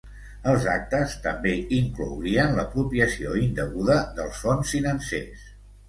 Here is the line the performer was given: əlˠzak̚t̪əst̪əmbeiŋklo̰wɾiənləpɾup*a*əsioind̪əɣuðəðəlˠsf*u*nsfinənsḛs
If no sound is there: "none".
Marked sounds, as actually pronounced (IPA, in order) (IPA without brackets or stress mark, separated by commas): i, o